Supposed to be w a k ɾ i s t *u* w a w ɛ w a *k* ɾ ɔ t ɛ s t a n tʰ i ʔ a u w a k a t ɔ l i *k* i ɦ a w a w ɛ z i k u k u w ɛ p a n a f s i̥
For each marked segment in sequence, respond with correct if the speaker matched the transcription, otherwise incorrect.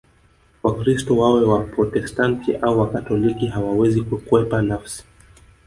incorrect: ɔ, incorrect: p, correct

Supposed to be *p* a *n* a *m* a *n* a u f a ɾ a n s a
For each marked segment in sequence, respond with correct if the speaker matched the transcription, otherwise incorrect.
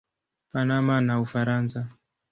correct, correct, correct, correct

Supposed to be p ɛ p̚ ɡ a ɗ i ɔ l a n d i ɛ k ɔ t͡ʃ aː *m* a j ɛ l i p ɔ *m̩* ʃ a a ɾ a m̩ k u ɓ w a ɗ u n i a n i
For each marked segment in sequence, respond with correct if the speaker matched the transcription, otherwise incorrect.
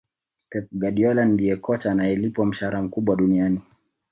incorrect: n, correct

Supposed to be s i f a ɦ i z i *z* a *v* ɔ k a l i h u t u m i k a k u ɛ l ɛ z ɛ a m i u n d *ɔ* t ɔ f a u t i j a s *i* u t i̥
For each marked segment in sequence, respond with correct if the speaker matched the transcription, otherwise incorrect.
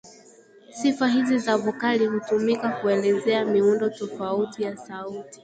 correct, correct, correct, incorrect: a

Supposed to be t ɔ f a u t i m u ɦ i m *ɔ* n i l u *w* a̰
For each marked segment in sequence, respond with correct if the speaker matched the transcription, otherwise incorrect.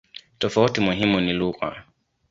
incorrect: u, incorrect: ɣ

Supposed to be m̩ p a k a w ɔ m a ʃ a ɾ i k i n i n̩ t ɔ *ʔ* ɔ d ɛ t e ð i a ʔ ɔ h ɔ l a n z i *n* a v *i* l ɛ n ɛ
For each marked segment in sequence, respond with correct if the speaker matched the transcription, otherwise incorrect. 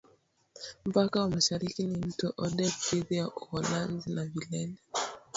correct, correct, correct

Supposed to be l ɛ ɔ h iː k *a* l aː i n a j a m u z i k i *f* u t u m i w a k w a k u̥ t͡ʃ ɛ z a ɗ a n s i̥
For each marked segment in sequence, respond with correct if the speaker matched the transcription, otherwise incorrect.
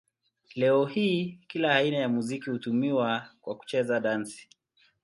incorrect: i, incorrect: h

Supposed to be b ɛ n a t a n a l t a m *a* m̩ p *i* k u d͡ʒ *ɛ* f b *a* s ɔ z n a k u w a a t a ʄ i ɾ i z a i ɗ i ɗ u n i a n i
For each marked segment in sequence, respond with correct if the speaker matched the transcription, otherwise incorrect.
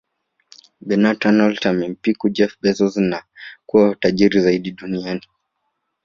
incorrect: ɛ, correct, correct, incorrect: ɛ

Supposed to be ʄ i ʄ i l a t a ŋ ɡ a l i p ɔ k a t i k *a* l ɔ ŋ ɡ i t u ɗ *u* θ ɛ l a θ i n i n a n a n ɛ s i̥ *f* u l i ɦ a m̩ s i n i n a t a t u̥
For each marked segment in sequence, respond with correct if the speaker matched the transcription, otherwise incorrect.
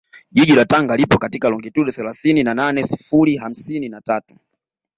correct, incorrect: ɔ, correct

